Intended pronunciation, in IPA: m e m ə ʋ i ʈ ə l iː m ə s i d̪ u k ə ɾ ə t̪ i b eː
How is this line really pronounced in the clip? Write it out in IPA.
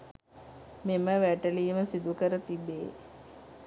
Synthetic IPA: m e m ə ʋ æ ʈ ə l iː m ə s i d̪ u k ə ɾ ə t̪ i b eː